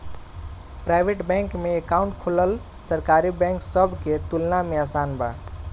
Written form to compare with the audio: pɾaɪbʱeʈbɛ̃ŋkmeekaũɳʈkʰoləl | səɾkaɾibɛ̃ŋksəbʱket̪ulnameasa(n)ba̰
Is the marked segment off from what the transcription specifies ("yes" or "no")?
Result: no